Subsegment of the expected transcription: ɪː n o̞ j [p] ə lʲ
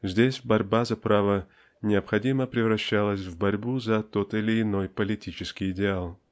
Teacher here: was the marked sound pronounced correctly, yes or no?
yes